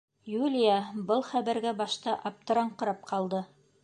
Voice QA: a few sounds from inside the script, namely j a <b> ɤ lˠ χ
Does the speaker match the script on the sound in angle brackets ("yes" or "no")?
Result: yes